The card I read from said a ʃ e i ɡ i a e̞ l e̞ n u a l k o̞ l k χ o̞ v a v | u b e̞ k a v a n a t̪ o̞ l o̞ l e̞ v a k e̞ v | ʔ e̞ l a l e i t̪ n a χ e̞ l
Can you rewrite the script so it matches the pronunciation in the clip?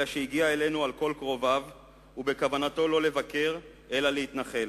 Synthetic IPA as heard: a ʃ e i ɡ i a e̞ l e̞ n u a l k o̞ l k ʁ o̞ v a v | u b e̞ k a v a n a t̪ o̞ l o̞ l e̞ v a k e̞ ʁ | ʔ e̞ l a l e i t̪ n a χ e̞ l